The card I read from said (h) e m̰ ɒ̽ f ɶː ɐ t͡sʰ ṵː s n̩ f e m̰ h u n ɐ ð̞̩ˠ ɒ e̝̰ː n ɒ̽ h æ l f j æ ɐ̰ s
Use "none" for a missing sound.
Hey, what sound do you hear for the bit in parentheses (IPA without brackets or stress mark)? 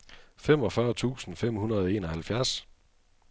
f